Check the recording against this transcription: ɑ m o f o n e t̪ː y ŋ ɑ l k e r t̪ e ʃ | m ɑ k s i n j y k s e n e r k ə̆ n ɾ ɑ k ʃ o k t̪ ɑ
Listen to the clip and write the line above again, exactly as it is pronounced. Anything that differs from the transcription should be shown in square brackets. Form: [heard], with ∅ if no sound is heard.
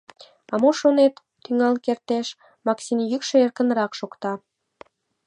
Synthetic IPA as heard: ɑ m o [ʃ] o n e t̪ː y ŋ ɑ l k e r t̪ e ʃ | m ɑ k s i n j y k [ʃ] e [∅] e r k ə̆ n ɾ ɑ k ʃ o k t̪ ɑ